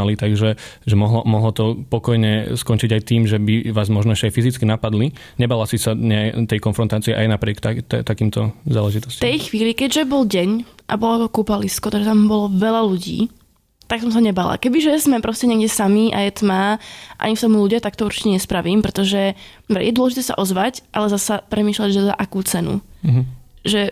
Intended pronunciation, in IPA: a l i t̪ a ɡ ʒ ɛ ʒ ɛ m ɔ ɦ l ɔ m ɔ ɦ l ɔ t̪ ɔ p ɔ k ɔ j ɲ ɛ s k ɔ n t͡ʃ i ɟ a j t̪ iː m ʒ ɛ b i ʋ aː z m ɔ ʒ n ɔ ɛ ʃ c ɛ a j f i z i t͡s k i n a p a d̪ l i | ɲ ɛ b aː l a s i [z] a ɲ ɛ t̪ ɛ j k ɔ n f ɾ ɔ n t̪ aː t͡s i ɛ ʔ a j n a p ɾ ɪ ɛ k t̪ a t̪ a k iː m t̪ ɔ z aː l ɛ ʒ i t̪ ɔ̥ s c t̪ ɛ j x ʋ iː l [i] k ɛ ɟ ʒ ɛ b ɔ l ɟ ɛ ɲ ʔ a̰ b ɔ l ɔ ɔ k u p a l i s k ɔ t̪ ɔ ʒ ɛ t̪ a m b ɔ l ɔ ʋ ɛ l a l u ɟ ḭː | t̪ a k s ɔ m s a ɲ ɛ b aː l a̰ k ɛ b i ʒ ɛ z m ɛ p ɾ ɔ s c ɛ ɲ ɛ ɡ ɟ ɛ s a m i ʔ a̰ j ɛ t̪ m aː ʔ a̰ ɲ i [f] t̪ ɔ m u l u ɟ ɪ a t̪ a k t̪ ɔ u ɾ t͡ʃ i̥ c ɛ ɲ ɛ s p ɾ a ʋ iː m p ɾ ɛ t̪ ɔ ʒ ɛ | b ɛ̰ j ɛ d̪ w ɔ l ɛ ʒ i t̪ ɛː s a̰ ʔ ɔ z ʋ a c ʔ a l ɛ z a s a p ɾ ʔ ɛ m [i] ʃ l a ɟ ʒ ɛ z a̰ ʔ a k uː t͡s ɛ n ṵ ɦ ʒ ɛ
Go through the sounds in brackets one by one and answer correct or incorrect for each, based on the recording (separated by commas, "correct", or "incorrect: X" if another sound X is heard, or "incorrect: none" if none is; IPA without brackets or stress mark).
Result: incorrect: s, correct, correct, incorrect: iː